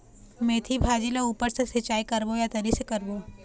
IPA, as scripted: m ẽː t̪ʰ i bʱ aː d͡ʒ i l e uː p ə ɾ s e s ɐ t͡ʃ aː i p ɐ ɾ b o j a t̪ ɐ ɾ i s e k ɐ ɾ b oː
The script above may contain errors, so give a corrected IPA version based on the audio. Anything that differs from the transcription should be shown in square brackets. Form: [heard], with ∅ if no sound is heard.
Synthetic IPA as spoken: m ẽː t̪ʰ i bʱ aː d͡ʒ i l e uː p ə ɾ s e s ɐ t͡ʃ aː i [k] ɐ ɾ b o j a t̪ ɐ ɾ i s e k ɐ ɾ b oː